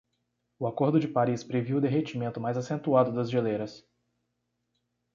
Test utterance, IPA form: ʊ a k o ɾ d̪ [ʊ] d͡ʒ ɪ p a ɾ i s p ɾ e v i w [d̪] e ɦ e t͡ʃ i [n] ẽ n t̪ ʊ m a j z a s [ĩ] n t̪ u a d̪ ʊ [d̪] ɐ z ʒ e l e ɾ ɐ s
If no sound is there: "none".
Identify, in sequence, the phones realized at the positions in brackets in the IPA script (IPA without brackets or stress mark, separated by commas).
ʊ, d̪, m, ẽ, d̪